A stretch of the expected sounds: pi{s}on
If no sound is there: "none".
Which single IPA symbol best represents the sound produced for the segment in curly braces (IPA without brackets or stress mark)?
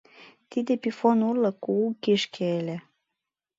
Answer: f